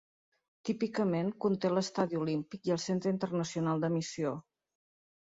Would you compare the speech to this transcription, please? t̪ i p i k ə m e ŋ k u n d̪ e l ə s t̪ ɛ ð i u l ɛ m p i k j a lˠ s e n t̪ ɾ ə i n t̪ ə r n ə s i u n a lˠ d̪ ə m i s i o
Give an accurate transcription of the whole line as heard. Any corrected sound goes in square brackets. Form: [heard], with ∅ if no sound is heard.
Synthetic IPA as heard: t̪ i p i k ə m e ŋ k u n [t̪] e l ə s t̪ [a] ð i u l [i] m p i k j [ə] lˠ s e n t̪ ɾ ə i n t̪ ə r n ə s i u n a lˠ d̪ ə m i s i o